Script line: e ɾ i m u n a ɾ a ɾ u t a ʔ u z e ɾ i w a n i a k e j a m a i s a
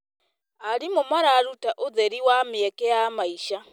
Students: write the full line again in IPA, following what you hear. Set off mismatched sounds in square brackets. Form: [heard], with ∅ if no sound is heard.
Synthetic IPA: [a] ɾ i m u [m] a ɾ a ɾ u t a ʔ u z e ɾ i w a [m] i [e] k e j a m a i [ʃ] a